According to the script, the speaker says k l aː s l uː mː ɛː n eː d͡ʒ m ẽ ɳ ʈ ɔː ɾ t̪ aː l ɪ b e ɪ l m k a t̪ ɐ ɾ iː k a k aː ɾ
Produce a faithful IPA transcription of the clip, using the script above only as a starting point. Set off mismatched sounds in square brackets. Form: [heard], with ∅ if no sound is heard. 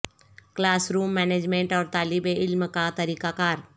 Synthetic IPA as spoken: k l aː s [ɾ] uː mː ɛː n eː d͡ʒ m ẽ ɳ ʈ ɔː ɾ t̪ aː l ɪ b e ɪ l m k a t̪ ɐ ɾ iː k a k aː ɾ